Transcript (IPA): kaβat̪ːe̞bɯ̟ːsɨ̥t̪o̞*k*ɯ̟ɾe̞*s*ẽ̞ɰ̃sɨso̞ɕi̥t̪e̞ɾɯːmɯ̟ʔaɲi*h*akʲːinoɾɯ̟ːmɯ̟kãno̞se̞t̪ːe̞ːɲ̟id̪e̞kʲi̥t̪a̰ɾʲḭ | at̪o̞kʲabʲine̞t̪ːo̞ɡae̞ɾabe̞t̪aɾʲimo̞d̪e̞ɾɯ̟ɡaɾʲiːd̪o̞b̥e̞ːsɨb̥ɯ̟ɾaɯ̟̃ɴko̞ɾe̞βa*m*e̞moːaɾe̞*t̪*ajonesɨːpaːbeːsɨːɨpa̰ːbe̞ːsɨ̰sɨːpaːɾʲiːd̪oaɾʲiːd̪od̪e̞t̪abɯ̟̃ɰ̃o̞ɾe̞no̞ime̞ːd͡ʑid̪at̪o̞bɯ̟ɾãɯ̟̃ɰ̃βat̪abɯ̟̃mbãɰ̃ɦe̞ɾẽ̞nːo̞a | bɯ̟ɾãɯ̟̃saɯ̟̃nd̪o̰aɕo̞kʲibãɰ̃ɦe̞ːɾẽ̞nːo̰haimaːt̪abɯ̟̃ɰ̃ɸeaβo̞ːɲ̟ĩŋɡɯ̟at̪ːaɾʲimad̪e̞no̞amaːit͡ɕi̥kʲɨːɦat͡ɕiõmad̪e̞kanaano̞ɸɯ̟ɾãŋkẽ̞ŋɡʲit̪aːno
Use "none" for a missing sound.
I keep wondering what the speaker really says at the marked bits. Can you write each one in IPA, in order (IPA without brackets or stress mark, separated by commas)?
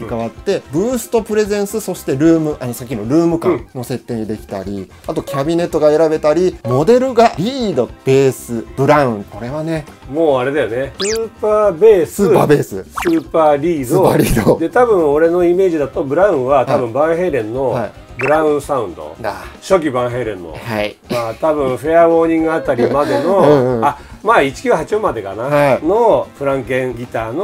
p, z, s, n, d̪